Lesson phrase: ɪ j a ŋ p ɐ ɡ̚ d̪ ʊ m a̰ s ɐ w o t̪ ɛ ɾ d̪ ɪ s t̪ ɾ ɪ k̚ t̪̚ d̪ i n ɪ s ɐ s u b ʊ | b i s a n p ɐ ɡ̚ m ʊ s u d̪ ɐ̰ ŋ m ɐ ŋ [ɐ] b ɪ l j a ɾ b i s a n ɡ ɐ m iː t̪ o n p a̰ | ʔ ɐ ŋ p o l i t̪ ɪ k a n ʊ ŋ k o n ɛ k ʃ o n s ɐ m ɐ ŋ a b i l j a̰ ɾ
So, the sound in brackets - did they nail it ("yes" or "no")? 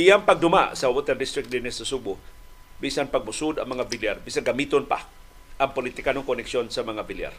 no